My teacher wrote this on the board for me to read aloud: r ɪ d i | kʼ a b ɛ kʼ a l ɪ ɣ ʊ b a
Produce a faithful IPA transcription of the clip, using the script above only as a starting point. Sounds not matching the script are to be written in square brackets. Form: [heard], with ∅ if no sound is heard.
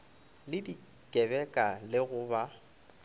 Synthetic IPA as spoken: [l] ɪ d i | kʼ [ɛ] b ɛ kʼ a l ɪ ɣ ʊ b a